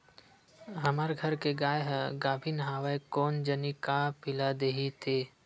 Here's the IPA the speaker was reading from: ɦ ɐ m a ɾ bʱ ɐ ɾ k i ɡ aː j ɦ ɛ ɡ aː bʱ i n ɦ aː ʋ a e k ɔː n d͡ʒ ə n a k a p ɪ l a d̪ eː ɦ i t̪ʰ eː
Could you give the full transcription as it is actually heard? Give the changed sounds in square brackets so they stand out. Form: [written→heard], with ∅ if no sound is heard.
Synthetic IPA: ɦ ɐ m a ɾ [bʱ→ɡʱ] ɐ ɾ k [i→e] ɡ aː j ɦ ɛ ɡ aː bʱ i n ɦ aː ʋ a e k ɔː n d͡ʒ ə n [a→i] k a p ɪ l a d̪ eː ɦ i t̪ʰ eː